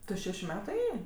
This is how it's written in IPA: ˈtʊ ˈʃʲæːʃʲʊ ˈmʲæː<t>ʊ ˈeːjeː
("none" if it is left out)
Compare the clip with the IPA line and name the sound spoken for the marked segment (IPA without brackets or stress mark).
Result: t